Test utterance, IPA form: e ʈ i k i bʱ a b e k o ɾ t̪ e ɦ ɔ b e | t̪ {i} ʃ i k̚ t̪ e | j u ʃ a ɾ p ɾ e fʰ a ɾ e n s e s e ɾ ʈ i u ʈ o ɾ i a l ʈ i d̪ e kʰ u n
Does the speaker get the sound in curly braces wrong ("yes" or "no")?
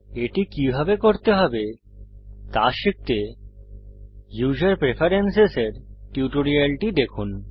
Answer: yes